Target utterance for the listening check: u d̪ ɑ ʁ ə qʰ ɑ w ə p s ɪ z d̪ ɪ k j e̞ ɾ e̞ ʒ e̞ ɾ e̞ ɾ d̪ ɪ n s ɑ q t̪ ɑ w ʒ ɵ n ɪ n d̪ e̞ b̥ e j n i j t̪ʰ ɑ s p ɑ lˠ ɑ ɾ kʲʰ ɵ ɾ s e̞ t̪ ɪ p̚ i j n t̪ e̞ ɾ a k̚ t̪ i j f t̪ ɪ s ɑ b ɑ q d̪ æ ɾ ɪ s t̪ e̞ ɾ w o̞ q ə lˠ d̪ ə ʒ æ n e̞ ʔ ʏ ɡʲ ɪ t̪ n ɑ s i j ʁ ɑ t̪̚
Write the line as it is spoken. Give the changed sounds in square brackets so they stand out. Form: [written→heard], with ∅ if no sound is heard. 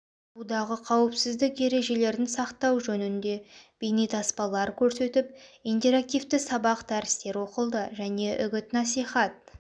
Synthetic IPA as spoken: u d̪ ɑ ʁ ə qʰ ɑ w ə p s ɪ z d̪ ɪ k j e̞ ɾ e̞ ʒ e̞ [ɾ→l] e̞ ɾ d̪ ɪ n s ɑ q t̪ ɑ w ʒ ɵ n ɪ n d̪ e̞ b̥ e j n i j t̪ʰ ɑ s p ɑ lˠ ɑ ɾ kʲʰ ɵ ɾ s e̞ t̪ ɪ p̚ i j n t̪ e̞ ɾ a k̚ t̪ i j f t̪ ɪ s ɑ b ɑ q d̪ æ ɾ ɪ s t̪ e̞ ɾ w o̞ q ə lˠ d̪ ə ʒ æ n e̞ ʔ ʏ ɡʲ ɪ t̪ n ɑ s i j [ʁ→χ] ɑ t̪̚